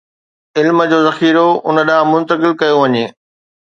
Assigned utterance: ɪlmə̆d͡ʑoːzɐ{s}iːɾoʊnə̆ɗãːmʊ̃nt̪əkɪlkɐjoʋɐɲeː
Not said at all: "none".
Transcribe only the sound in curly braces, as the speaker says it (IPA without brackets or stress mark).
x